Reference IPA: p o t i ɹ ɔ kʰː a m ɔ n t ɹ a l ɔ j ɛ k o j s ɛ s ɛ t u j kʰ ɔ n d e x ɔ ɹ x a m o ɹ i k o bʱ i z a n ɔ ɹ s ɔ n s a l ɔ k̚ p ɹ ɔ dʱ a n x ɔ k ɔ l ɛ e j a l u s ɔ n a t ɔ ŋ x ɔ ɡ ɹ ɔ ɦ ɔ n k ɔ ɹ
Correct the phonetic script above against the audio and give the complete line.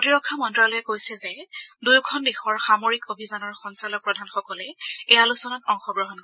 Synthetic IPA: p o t i ɹ ɔ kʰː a m ɔ n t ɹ a l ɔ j ɛ k o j s ɛ z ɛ d u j kʰ ɔ n d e x ɔ ɹ x a m o ɹ i k o bʱ i z a n ɔ ɹ x ɔ n s a l ɔ k̚ p ɹ ɔ dʱ a n x ɔ k ɔ l ɛ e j a l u s ɔ n a t ɔ ŋ x ɔ ɡ ɹ ɔ ɦ ɔ n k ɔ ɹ